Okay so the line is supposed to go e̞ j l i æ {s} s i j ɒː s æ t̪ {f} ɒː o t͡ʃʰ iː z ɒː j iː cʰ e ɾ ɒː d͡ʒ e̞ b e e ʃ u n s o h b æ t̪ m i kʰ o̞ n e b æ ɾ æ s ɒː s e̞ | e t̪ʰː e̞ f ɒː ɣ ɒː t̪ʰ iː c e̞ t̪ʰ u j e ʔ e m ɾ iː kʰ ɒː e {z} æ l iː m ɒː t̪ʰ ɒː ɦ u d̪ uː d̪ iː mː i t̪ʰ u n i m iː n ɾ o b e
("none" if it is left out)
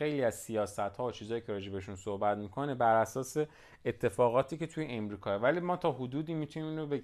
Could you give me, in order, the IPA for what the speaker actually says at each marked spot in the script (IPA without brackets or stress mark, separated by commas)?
z, h, v